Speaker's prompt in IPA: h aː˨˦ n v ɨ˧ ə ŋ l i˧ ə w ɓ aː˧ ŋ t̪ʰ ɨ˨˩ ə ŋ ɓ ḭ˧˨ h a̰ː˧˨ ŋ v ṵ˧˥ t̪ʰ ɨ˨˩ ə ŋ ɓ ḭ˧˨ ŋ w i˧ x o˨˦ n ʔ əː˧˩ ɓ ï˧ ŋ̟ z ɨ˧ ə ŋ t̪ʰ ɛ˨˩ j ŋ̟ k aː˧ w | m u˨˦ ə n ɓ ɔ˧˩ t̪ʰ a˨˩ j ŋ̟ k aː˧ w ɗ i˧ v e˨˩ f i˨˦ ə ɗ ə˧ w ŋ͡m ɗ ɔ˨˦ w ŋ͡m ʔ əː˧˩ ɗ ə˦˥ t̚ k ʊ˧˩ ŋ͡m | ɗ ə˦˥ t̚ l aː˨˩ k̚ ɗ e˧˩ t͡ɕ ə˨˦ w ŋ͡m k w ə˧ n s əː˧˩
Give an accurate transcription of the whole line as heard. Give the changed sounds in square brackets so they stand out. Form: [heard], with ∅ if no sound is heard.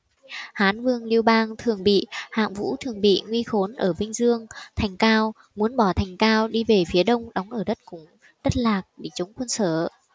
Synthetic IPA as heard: h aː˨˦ n v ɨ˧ ə ŋ l i˧ ə w ɓ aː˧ ŋ t̪ʰ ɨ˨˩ ə ŋ ɓ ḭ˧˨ h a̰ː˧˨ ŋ v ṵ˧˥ t̪ʰ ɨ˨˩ ə ŋ ɓ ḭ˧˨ ŋ w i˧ x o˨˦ n ʔ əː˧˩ ɓ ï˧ ŋ̟ z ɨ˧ ə ŋ t̪ʰ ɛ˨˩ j ŋ̟ k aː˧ w | m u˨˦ ə n ɓ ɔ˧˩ t̪ʰ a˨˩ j ŋ̟ k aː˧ w ɗ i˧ v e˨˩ f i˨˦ ə ɗ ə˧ w ŋ͡m ɗ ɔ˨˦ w ŋ͡m ʔ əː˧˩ ɗ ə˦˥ t̚ k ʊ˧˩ ŋ͡m | ɗ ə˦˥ t̚ l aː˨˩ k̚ ɗ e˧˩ t͡ɕ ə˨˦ w ŋ͡m k w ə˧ n s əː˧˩